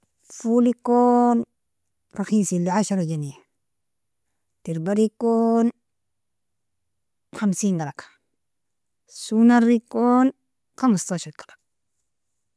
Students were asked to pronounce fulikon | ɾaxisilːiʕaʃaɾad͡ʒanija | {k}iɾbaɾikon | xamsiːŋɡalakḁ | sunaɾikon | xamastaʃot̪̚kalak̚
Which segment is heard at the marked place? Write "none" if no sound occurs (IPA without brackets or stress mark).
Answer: t